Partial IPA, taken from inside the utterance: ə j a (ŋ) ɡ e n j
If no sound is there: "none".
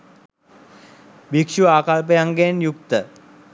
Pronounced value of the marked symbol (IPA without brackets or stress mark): ŋ